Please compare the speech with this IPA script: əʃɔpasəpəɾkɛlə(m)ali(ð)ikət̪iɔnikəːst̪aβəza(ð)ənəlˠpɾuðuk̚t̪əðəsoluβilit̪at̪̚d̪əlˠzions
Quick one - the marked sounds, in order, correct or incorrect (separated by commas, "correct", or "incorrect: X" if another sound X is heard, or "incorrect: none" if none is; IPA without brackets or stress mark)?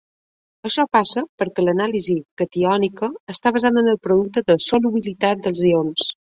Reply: incorrect: n, incorrect: z, correct